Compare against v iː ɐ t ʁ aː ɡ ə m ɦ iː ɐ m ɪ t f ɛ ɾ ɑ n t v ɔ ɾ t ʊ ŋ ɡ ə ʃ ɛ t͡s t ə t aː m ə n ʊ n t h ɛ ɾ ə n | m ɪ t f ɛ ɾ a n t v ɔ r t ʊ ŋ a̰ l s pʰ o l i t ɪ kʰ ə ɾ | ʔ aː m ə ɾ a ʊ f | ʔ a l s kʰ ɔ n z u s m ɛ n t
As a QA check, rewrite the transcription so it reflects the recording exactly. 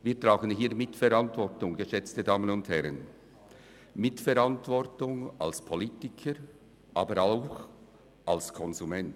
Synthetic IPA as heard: v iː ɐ t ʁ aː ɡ ə n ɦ iː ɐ m ɪ t f ɛ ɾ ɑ n t v ɔ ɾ t ʊ ŋ ɡ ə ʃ ɛ t͡s t ə d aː m ə n ʊ n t h ɛ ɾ ə n | m ɪ t f ɛ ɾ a n t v ɔ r t ʊ ŋ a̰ l s pʰ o l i t ɪ kʰ ə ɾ | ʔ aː b ə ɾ a ʊ x | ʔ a l s kʰ ɔ n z u m ɛ n t